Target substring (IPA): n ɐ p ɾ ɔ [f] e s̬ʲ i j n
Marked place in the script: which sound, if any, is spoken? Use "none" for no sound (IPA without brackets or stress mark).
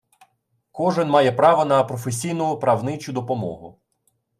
f